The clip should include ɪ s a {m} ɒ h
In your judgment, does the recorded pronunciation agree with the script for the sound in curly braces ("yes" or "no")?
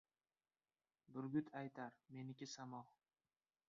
yes